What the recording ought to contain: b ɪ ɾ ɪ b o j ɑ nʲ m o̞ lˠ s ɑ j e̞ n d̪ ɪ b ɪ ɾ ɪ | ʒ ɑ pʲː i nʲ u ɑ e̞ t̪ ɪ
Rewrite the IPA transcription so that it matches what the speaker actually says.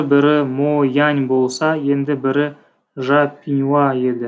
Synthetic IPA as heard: b ɪ ɾ ɪ m o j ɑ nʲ b o̞ lˠ s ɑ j e̞ n d̪ ɪ b ɪ ɾ ɪ | ʒ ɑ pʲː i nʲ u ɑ e̞ d̪ ɪ